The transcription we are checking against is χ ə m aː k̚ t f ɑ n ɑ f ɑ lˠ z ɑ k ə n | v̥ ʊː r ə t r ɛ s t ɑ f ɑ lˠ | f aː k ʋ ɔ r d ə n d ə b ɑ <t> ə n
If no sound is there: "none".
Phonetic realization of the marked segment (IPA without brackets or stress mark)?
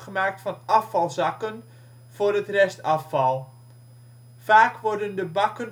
k